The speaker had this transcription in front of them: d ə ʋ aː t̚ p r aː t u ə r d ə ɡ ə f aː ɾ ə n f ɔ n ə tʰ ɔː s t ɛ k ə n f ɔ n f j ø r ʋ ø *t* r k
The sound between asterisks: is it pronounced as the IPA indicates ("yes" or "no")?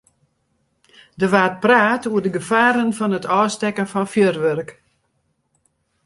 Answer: no